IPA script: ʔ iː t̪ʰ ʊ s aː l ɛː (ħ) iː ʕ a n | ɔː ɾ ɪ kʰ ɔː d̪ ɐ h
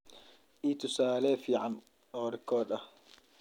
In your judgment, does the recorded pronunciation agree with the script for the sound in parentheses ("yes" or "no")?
no